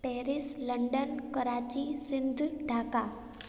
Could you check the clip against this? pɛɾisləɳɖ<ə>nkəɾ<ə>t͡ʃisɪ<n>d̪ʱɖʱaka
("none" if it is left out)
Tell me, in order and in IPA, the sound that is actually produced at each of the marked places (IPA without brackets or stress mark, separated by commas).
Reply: ə, a, n